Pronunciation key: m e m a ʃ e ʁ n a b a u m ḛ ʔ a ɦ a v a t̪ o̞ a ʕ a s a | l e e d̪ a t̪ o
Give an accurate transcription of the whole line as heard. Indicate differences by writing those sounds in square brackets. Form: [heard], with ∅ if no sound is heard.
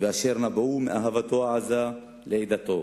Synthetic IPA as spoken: [b] e [∅] a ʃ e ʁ n a b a u m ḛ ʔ a ɦ a v a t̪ o̞ a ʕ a [z] a | l e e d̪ a t̪ o